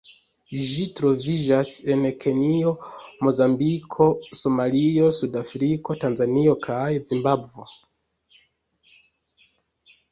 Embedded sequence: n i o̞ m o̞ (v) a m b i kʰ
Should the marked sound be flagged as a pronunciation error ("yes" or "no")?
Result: yes